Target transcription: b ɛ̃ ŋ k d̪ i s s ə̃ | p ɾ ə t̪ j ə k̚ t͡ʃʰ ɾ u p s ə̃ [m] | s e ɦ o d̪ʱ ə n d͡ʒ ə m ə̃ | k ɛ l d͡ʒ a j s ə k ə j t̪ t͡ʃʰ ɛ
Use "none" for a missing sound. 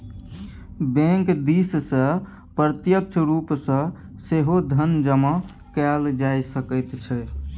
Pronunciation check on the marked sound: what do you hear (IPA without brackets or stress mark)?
none